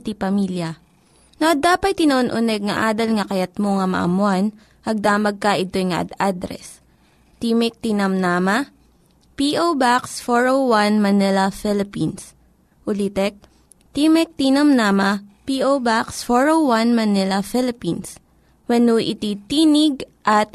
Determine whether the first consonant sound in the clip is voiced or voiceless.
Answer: voiceless